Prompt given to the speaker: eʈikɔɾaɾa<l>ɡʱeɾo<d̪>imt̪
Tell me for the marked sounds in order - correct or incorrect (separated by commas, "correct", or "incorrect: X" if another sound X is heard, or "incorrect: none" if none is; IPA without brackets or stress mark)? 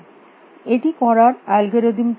correct, correct